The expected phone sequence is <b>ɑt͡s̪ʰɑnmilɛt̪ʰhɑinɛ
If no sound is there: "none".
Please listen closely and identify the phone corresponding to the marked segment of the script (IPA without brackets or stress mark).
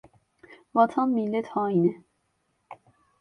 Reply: v